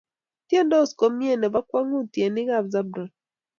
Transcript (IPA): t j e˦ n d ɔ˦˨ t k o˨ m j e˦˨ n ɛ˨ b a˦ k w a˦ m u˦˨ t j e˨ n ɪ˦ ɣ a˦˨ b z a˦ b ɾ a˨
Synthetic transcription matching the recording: t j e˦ n d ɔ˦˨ s k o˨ m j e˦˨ n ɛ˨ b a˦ k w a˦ ŋ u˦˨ t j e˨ n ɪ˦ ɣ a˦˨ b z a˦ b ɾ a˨